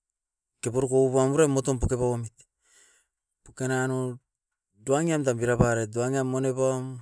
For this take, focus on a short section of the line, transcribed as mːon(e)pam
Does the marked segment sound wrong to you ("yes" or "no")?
no